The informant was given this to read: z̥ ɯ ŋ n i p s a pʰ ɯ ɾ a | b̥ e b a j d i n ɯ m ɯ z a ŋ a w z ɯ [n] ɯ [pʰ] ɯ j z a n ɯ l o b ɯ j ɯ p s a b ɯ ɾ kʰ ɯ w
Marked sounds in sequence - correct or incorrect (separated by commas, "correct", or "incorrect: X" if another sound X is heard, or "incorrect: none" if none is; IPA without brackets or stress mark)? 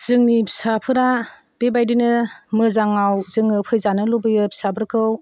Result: incorrect: ŋ, correct